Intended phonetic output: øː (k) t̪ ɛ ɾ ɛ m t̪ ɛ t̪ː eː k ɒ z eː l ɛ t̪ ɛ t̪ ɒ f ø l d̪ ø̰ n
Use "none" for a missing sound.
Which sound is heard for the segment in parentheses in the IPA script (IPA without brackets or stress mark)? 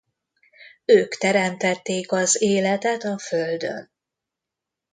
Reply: k